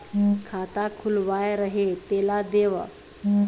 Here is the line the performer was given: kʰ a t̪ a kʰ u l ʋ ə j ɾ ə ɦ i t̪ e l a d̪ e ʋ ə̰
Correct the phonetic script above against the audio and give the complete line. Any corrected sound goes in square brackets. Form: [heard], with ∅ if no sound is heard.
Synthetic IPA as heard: kʰ a t̪ a kʰ u l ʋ [a] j ɾ ə ɦ [e] t̪ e l a d̪ e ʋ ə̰